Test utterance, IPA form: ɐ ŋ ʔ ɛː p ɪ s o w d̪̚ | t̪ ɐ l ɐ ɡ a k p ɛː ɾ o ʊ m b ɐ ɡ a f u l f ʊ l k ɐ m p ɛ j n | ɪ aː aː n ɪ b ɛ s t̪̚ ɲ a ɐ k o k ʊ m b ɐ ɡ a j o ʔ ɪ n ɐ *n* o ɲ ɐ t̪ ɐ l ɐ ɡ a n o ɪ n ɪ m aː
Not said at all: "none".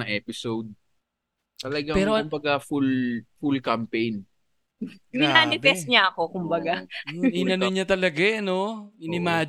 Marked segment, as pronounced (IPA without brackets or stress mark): n